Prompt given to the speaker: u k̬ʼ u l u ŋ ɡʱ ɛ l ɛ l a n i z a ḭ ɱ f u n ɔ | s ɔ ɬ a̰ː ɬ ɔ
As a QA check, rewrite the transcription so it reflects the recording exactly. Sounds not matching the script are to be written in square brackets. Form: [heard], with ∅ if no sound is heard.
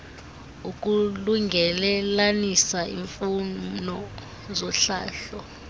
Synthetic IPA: u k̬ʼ u l u ŋ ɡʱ ɛ l ɛ l a n i [s] a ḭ ɱ f u n ɔ | [z] ɔ ɬ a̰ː ɬ ɔ

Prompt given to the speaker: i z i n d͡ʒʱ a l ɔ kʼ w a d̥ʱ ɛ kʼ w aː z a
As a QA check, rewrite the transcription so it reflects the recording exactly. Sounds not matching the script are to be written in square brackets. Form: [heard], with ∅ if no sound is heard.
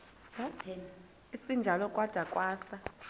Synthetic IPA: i [s] i n d͡ʒʱ a l ɔ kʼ w a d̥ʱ [a] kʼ w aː [s] a

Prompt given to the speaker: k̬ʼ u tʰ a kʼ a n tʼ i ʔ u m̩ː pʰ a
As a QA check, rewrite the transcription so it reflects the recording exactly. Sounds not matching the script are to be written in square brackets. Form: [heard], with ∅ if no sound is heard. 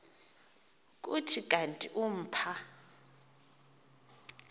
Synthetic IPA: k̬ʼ u tʰ [i] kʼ a n tʼ i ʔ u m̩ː pʰ a

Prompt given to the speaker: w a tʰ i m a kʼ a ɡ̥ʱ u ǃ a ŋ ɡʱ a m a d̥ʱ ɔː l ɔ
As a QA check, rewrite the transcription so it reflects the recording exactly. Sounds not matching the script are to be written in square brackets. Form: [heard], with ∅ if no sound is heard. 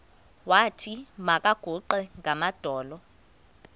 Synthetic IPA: w a tʰ i m a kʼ a ɡ̥ʱ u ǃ [ɛ] ŋ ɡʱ a m a d̥ʱ ɔː l ɔ

